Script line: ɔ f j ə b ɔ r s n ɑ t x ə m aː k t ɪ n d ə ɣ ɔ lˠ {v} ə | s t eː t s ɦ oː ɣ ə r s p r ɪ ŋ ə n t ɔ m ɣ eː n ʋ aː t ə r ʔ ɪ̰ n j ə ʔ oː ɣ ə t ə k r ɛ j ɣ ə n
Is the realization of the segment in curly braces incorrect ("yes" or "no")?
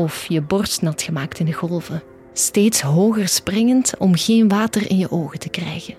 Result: no